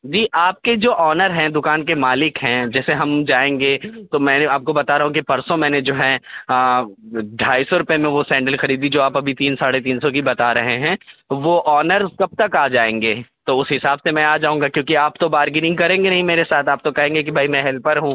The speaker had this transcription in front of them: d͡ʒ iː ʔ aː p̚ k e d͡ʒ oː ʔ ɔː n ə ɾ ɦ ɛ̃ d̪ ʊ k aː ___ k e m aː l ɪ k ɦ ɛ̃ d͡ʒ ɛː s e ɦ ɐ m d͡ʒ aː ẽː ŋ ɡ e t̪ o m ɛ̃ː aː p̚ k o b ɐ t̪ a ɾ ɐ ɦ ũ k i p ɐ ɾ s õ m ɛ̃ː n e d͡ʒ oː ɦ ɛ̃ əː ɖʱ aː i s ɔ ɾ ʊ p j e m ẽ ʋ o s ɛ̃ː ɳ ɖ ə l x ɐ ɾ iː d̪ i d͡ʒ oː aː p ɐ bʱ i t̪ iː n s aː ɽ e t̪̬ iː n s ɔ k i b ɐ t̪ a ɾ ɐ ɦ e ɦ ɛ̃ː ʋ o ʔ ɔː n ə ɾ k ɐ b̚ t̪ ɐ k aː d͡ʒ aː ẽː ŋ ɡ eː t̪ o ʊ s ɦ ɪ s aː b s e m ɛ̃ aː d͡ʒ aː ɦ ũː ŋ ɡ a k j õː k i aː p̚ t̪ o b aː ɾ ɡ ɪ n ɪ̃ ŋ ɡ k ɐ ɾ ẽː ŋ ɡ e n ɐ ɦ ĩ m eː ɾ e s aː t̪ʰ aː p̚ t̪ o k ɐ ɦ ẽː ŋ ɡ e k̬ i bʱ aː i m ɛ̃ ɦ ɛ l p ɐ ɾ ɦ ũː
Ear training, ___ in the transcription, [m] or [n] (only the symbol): n